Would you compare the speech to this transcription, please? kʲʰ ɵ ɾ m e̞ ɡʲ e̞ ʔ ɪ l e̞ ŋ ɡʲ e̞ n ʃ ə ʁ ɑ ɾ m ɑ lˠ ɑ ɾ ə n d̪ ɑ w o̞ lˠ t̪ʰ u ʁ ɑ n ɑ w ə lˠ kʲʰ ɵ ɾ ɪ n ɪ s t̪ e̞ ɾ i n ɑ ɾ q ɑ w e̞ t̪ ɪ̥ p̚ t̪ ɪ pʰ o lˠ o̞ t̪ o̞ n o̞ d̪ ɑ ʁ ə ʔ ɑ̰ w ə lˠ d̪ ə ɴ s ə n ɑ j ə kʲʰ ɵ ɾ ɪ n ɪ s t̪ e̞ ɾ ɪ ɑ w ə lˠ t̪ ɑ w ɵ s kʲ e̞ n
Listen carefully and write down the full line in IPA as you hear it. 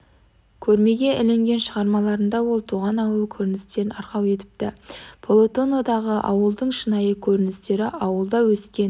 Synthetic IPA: kʲʰ ɵ ɾ m e̞ ɡʲ e̞ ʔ ɪ l e̞ ŋ ɡʲ e̞ n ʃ ə ʁ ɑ ɾ m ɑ lˠ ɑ ɾ ə n d̪ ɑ w o̞ lˠ t̪ʰ u ʁ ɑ n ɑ w ə lˠ kʲʰ ɵ ɾ ɪ n ɪ s t̪ e̞ ɾ ɪ n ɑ ɾ q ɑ w e̞ t̪ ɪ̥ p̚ t̪ ɪ pʰ o lˠ o̞ t̪ o̞ n o̞ d̪ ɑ ʁ ə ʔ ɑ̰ w ə lˠ d̪ ə ɴ ʃ ə n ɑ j ə kʲʰ ɵ ɾ ɪ n ɪ s t̪ e̞ ɾ ɪ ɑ w ə lˠ d̪ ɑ w ɵ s kʲ e̞ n